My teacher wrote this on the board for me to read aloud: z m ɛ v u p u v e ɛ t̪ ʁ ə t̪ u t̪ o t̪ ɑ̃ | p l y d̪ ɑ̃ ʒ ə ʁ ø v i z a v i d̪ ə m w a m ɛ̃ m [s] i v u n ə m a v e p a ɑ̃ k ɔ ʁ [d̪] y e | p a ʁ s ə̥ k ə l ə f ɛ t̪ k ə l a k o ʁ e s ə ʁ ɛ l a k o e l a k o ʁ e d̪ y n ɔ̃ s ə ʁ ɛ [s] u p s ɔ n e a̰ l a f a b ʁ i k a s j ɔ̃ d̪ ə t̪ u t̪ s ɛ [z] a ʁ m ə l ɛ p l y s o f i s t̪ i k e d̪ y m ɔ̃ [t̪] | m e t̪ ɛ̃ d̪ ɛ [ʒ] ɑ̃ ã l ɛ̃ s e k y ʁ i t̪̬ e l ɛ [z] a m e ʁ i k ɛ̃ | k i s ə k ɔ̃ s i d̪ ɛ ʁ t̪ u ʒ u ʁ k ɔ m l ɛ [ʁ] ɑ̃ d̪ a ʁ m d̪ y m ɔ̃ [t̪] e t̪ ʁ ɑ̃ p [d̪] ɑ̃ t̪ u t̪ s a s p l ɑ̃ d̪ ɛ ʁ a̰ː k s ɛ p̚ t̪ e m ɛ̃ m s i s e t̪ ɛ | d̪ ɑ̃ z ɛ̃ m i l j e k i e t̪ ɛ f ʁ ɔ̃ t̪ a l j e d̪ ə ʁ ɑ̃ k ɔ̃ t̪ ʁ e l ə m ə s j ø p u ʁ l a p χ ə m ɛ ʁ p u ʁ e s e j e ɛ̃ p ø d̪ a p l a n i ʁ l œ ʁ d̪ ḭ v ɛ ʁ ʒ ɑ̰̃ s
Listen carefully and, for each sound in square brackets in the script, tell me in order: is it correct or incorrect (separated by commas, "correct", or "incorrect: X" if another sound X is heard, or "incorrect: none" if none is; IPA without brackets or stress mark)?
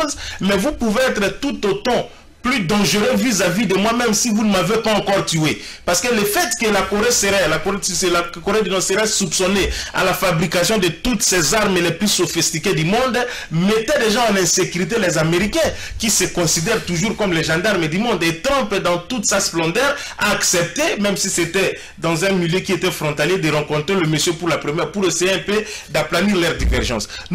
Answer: correct, incorrect: t̪, correct, correct, incorrect: d̪, correct, correct, incorrect: ʒ, incorrect: d̪, correct